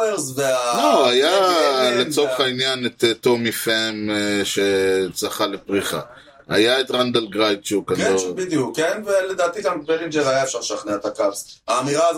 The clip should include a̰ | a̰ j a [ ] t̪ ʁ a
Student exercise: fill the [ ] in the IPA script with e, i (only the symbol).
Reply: e